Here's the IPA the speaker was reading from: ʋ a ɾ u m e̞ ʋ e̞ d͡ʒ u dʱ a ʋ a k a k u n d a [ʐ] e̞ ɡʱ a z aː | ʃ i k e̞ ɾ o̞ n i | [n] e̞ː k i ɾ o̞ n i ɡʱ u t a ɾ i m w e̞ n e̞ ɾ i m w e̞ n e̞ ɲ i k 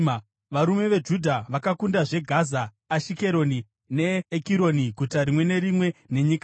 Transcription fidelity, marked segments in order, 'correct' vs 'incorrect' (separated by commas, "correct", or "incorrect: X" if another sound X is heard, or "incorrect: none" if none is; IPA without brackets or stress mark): correct, correct